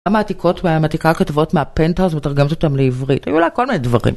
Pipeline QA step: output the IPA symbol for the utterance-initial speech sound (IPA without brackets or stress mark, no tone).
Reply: a